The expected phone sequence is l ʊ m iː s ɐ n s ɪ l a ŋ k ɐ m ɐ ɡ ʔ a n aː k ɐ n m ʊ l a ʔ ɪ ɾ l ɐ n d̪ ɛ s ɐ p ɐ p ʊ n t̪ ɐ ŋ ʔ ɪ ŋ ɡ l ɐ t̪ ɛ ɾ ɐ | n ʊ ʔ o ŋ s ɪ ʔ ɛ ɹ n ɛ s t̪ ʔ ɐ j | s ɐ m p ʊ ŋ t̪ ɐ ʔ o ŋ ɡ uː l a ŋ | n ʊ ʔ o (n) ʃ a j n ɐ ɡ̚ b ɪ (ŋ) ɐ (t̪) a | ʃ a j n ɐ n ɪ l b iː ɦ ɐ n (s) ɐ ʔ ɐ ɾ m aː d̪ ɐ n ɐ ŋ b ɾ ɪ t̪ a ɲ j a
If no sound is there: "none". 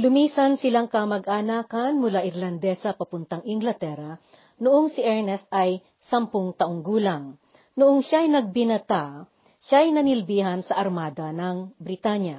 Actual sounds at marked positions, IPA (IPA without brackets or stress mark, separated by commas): ŋ, n, t̪, s